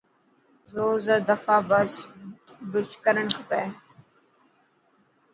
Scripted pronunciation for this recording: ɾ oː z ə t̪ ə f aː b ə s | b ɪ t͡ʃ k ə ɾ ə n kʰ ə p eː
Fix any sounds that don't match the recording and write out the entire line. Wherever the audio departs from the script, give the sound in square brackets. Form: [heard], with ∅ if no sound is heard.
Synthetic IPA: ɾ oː z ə [d̪] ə f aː b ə s | b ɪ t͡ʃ k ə ɾ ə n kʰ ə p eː